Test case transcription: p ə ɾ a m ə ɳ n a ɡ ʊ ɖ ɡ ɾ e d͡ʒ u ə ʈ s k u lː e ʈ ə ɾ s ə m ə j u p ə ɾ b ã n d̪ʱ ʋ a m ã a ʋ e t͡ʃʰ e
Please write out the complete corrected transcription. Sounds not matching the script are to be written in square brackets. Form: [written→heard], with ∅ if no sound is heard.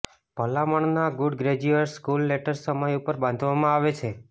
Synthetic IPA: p ə [ɾ→l] a m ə ɳ n a ɡ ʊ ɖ ɡ ɾ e d͡ʒ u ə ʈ s k u lː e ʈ ə ɾ s ə m ə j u p ə ɾ b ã n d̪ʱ ʋ a m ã a ʋ e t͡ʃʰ e

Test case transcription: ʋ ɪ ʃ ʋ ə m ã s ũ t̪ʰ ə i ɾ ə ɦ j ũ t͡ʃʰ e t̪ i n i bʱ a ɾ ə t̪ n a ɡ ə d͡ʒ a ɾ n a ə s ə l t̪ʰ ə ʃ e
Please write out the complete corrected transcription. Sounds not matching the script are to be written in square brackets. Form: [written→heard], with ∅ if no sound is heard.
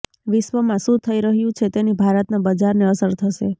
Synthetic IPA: ʋ ɪ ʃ ʋ ə m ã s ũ t̪ʰ ə i ɾ ə ɦ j ũ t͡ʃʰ e t̪ [i→e] n i bʱ a ɾ ə t̪ n a [ɡ→b] ə d͡ʒ a ɾ n [a→e] ə s ə [l→ɾ] t̪ʰ ə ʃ e

